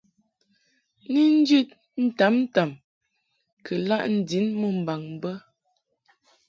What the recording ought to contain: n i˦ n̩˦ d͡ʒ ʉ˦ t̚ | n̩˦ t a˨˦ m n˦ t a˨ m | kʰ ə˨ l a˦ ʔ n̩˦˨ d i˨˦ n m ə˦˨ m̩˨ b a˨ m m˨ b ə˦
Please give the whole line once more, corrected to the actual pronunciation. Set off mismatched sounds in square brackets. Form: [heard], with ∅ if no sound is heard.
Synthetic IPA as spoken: n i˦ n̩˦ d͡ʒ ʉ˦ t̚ | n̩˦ t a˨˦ m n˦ t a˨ m | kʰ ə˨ l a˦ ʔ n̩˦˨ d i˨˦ n m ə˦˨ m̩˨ b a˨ [ŋ] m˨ b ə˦